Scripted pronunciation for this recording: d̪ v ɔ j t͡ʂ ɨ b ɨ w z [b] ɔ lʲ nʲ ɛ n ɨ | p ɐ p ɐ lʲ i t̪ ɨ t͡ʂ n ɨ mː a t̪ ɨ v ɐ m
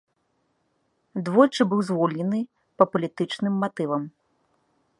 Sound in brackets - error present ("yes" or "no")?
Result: yes